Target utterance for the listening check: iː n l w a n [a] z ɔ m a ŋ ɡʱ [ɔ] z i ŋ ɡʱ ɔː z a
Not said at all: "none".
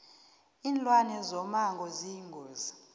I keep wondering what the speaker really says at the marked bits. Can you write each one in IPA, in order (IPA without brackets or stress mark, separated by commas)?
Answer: ɛ, ɔ